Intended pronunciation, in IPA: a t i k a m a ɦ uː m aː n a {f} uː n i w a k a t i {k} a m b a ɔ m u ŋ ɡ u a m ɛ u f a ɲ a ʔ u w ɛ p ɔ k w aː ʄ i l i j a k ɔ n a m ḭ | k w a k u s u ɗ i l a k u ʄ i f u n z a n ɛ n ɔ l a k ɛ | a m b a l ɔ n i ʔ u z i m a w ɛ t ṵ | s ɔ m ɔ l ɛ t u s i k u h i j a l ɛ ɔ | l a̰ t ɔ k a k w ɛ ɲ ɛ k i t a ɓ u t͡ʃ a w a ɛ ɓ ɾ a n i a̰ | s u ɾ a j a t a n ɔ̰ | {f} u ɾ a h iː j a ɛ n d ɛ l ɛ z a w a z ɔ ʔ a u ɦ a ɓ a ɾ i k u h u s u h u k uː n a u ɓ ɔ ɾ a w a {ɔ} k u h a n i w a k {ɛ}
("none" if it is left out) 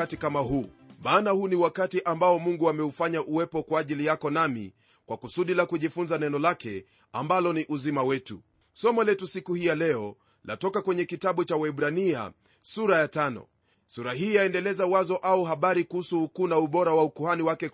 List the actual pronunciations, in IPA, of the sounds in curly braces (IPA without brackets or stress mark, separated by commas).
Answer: h, ʔ, s, u, ɛ